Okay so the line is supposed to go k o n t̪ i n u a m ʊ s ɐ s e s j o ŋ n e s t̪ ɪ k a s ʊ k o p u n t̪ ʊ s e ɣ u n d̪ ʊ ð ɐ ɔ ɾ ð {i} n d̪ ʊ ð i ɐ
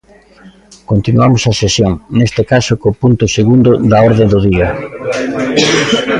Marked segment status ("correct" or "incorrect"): incorrect